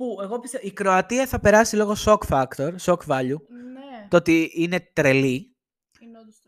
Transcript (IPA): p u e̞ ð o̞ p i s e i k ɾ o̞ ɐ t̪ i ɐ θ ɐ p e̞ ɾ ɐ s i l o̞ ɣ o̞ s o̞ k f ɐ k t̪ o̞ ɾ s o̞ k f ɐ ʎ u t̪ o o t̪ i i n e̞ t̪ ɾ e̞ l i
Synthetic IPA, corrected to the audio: p u e̞ ɣ o̞ p i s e i k ɾ o̞ ɐ t̪ i ɐ θ ɐ p e̞ ɾ ɐ s i l o̞ ɣ o̞ s o̞ k f ɐ k t̪ o̞ ɾ s o̞ k v ɐ ʎ u t̪ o o t̪ i i n e̞ t̪ ɾ e̞ l i